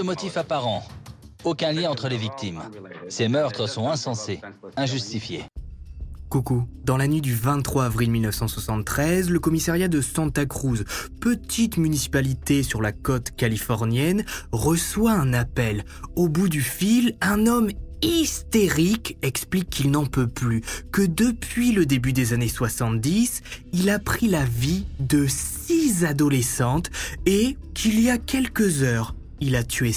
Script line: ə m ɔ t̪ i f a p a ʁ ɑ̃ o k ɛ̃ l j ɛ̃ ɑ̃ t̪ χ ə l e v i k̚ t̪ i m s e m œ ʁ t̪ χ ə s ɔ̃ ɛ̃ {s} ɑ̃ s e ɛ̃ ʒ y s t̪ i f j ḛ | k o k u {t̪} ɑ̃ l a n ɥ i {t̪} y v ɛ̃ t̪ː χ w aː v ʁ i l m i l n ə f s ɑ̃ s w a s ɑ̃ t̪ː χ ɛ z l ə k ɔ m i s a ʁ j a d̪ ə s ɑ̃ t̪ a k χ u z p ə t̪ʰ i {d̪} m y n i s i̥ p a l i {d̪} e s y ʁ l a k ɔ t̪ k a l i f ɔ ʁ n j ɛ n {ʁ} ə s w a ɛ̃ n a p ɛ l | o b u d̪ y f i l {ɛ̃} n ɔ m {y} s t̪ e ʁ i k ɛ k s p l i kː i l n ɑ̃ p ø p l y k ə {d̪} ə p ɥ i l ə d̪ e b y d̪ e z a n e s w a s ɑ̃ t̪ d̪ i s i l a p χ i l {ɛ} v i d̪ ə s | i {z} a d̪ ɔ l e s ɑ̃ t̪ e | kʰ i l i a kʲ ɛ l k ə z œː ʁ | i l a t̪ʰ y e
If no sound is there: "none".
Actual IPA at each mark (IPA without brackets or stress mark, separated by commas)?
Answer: s, d̪, d̪, t̪, t̪, ʁ, ɛ̃, i, d̪, a, z